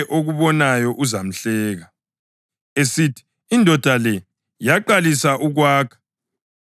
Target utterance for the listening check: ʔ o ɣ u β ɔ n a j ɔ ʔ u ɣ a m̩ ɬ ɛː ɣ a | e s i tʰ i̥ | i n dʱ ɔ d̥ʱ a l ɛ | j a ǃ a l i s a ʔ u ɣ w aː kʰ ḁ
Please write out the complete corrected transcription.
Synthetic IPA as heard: ʔ o ɣ u β ɔ n a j ɔ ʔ u z a m̩ ɬ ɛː ɣ a | e s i tʰ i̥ | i n dʱ ɔ d̥ʱ a l ɛ | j a ǃ a l i s a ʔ u ɣ w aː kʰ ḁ